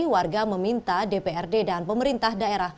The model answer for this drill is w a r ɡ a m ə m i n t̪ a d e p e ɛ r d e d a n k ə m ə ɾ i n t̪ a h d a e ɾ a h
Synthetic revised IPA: w a r ɡ a m ə m i n t̪ a d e p e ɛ r d e d a n p ə m ə ɾ i n t̪ a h d a e ɾ a h